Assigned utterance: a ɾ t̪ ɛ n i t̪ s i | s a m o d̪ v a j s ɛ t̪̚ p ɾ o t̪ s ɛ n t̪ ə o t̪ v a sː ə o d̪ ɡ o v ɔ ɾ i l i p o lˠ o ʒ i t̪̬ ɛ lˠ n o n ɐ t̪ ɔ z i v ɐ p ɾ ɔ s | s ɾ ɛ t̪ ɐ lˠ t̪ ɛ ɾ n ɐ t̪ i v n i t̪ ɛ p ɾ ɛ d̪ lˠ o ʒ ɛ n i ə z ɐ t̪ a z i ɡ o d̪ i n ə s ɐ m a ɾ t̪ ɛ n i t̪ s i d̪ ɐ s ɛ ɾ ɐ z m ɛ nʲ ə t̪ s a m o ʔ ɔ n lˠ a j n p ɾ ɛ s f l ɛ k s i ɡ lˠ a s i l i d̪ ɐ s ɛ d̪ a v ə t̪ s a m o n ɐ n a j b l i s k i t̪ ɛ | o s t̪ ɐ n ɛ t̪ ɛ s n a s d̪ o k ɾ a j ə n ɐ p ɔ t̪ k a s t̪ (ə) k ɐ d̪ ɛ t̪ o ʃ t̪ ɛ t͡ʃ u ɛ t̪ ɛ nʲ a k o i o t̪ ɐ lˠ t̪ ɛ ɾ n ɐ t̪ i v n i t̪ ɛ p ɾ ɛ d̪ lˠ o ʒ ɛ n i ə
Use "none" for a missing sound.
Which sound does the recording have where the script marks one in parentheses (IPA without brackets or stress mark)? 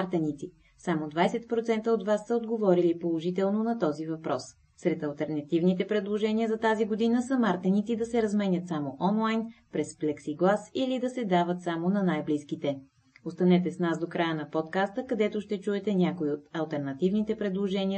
ə